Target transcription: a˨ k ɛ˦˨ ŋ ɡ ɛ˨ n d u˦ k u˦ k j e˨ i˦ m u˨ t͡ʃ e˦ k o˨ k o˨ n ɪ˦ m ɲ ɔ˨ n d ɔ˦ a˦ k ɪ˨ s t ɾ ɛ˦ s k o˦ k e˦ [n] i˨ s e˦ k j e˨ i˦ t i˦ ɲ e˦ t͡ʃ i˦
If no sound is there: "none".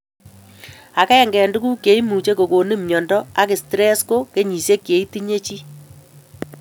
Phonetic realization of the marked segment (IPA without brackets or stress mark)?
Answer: ɲ